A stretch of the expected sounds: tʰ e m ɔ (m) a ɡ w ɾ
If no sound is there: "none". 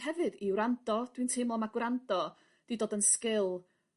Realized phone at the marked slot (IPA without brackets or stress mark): m